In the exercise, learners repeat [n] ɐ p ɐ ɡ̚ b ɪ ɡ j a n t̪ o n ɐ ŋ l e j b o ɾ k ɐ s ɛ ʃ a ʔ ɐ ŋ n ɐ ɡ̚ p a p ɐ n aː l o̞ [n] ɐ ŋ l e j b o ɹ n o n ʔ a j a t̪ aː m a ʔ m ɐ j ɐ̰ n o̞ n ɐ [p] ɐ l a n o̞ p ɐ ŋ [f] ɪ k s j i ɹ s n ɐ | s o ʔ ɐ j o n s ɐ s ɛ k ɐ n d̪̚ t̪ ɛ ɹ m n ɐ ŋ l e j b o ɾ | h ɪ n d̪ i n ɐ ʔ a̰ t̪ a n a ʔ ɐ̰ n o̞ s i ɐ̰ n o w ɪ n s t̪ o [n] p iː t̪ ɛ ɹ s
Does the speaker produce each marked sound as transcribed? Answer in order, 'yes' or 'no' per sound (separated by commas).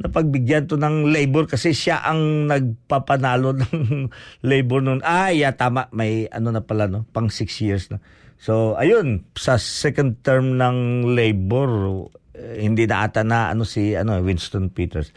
yes, yes, yes, no, yes